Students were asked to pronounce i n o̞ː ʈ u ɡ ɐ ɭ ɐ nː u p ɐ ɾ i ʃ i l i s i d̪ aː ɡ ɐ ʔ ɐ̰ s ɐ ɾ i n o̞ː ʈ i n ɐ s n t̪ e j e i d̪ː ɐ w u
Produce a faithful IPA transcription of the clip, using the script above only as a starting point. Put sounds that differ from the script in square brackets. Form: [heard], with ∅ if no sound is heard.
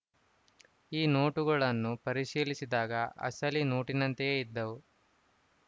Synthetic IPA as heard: [iː] n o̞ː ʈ u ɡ ɐ ɭ ɐ nː u p ɐ ɾ i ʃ [iː] l i s i d̪ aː ɡ ɐ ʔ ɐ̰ s ɐ [l] i n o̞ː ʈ i n ɐ [∅] n t̪ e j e i d̪ː ɐ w u